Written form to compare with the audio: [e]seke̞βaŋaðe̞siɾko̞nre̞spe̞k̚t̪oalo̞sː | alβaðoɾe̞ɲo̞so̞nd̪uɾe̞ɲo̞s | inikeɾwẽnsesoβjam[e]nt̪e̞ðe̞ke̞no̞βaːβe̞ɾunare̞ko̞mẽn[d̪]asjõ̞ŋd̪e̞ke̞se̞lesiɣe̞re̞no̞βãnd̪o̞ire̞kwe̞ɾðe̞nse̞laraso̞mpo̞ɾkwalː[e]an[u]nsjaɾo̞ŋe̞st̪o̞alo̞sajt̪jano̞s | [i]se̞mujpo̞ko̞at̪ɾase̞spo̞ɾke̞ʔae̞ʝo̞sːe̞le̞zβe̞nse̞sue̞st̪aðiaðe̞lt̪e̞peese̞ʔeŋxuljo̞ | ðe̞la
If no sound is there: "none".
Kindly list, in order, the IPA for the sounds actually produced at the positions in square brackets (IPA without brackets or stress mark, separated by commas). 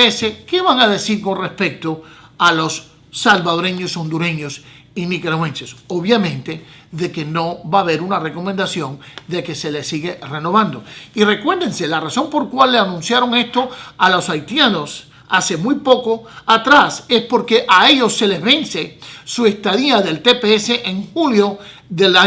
e, ẽ, d̪, e, ũ, a